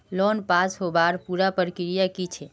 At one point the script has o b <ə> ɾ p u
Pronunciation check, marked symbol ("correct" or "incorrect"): incorrect